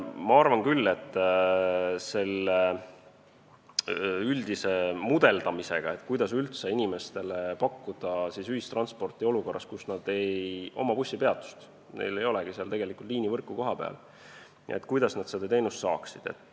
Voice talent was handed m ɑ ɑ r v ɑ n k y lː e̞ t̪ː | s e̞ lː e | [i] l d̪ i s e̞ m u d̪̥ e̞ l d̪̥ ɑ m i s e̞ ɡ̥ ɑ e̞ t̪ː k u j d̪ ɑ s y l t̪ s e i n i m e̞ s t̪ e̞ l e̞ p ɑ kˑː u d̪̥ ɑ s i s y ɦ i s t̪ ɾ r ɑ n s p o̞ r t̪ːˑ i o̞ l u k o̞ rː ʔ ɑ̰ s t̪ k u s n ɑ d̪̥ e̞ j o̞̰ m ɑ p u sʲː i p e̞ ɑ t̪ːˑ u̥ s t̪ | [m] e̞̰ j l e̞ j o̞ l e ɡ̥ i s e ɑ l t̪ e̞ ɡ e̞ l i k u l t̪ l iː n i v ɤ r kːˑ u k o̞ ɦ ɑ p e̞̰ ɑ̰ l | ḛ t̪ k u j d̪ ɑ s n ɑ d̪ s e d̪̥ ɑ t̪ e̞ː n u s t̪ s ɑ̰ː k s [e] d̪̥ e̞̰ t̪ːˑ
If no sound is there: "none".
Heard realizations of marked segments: y, n, i

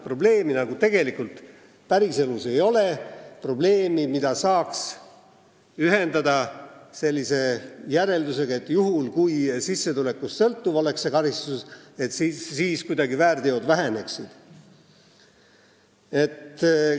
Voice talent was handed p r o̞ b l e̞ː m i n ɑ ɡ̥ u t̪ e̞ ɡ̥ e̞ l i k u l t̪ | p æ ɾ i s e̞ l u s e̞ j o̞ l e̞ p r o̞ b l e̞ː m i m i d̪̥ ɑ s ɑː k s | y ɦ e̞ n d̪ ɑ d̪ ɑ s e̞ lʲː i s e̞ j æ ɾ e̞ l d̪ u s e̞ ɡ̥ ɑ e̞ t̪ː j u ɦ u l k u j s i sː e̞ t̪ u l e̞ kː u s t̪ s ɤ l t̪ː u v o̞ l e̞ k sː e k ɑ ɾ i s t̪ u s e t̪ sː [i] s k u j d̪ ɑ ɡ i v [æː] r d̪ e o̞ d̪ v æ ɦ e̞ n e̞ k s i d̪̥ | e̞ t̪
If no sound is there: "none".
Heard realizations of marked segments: iː, æː

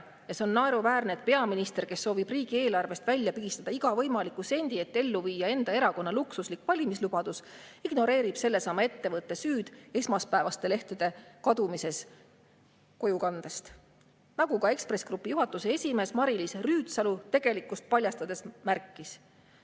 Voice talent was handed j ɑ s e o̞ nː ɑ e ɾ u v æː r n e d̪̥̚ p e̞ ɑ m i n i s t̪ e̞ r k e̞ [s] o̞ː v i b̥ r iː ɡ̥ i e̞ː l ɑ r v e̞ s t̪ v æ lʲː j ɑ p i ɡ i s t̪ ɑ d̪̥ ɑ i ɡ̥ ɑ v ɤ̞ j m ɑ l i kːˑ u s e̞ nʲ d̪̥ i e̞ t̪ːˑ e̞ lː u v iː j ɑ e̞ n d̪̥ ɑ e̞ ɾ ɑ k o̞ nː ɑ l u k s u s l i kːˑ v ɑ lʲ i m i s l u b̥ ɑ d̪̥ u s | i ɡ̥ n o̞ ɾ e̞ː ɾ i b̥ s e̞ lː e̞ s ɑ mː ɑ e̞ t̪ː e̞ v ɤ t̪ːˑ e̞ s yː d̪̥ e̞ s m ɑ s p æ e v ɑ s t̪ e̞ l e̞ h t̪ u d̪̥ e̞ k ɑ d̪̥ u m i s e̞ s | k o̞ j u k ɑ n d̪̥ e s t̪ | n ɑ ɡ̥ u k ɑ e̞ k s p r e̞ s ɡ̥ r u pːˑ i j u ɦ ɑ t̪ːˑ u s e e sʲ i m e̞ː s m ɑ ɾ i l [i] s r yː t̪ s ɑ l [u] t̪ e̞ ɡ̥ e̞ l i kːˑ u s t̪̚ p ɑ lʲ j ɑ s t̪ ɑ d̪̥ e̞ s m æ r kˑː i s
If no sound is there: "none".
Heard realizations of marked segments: sː, i, u

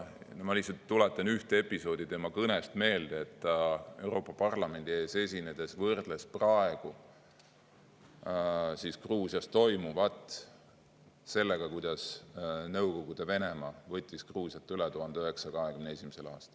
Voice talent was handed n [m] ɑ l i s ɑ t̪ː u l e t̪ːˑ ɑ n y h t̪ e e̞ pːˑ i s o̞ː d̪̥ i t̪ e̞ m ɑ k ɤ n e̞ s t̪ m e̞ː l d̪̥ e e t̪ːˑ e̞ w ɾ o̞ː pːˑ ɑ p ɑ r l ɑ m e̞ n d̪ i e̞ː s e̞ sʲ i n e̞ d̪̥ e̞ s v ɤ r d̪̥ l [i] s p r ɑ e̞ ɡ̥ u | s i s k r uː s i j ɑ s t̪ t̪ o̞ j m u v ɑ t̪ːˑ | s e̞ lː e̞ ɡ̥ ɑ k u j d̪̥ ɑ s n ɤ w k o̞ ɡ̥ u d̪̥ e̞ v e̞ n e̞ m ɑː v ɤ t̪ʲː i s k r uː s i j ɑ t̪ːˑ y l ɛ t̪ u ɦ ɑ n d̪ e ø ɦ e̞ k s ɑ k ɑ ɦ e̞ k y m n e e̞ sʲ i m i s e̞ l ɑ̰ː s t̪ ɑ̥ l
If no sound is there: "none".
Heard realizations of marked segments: m, e

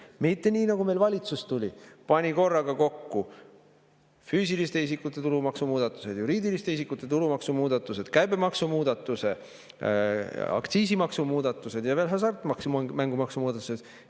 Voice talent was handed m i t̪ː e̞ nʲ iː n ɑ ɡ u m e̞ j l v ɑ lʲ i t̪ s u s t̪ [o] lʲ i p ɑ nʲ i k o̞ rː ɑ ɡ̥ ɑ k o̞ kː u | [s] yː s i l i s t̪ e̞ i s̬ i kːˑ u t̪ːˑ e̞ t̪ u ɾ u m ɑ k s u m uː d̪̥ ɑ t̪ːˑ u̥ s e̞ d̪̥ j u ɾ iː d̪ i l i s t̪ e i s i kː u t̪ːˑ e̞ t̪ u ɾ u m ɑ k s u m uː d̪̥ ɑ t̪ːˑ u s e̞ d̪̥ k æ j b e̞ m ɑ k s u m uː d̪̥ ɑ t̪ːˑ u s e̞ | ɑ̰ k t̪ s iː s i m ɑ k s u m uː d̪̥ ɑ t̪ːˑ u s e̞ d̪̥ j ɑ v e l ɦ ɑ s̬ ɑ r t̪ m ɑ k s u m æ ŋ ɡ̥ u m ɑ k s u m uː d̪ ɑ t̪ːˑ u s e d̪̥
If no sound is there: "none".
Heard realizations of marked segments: u, f

